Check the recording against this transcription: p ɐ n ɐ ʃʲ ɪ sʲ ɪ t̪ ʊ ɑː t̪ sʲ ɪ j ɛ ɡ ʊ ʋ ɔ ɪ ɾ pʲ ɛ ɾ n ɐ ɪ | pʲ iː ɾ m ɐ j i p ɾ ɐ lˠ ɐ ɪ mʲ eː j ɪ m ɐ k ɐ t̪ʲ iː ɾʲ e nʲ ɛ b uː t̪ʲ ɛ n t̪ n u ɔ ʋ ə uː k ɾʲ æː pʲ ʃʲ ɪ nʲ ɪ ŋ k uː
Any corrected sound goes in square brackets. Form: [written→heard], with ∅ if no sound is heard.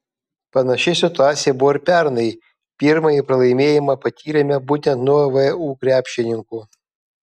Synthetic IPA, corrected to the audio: p ɐ n ɐ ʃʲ ɪ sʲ ɪ t̪ ʊ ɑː t̪ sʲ ɪ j ɛ [ɡ→b] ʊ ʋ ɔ ɪ ɾ pʲ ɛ ɾ n ɐ ɪ | pʲ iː ɾ m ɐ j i p ɾ ɐ lˠ ɐ ɪ mʲ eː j ɪ m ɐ [k→p] ɐ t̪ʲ iː ɾʲ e [nʲ→mʲ] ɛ b uː t̪ʲ ɛ n t̪ n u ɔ ʋ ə uː k ɾʲ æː pʲ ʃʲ ɪ nʲ ɪ ŋ k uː